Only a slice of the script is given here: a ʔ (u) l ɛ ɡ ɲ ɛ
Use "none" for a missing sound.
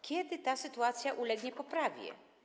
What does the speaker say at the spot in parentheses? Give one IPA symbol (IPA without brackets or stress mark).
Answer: u